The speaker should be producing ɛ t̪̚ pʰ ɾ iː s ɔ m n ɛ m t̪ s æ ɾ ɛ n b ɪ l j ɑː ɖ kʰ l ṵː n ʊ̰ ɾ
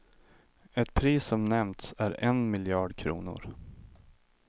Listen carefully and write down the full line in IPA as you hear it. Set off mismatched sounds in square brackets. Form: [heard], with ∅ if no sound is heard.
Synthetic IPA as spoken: ɛ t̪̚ pʰ ɾ iː s ɔ m n ɛ m t̪ s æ ɾ ɛ n [m] ɪ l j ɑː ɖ kʰ [ɾ] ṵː n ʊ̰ ɾ